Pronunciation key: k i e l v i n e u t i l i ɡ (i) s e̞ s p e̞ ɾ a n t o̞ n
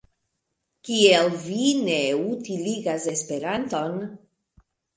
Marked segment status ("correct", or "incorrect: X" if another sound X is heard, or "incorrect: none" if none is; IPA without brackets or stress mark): incorrect: a